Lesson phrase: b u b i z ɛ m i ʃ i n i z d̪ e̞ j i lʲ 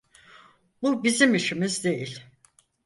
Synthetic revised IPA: b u b i z i m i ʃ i m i z d̪ e̞ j i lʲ